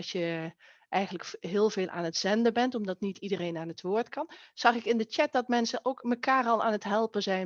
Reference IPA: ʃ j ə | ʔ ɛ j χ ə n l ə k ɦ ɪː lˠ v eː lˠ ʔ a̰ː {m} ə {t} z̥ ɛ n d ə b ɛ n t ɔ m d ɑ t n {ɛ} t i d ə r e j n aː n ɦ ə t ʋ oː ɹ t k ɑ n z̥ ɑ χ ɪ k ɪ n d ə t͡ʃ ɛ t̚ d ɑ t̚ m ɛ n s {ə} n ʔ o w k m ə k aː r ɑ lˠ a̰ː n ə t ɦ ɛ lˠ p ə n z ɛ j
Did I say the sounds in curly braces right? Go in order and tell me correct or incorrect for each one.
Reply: incorrect: n, correct, incorrect: i, correct

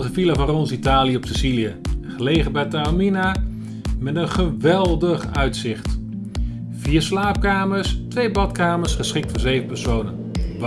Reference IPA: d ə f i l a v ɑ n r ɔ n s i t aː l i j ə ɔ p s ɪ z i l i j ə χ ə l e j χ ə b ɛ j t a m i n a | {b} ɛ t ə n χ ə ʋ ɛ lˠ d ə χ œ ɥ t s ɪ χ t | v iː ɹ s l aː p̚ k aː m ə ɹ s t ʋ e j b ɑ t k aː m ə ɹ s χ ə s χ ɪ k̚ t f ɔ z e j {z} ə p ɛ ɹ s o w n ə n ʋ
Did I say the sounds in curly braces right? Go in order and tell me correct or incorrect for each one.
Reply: incorrect: m, incorrect: v

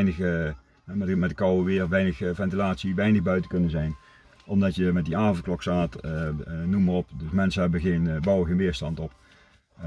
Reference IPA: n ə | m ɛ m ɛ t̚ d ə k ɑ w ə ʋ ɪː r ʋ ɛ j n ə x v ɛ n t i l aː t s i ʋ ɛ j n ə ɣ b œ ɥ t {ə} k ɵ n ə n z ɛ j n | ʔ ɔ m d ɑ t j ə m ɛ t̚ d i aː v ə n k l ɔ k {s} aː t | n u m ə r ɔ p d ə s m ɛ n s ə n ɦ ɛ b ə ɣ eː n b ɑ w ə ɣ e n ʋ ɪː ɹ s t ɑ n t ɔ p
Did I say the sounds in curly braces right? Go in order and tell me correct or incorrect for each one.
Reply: correct, correct

